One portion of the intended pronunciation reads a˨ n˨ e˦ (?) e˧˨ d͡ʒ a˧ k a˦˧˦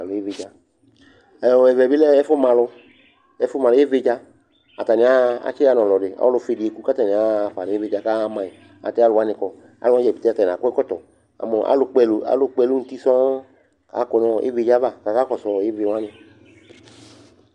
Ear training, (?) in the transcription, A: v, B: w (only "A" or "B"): A